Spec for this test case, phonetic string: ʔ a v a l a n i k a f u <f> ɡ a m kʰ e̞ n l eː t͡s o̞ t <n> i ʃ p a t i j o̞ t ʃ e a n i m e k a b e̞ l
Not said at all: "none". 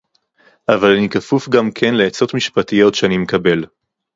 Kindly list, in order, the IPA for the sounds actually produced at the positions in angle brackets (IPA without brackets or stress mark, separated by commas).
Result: f, m